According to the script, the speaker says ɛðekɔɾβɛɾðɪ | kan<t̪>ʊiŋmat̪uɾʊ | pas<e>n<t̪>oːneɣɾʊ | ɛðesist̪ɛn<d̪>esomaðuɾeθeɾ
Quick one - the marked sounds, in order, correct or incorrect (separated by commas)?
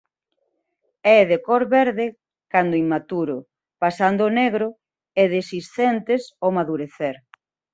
incorrect, incorrect, incorrect, incorrect